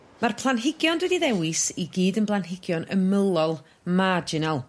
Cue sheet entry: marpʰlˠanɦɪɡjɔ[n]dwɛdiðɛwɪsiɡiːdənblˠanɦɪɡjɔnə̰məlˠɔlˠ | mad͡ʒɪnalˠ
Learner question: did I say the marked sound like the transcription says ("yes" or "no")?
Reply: yes